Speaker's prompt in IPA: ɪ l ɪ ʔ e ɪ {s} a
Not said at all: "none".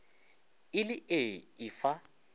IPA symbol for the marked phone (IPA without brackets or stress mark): f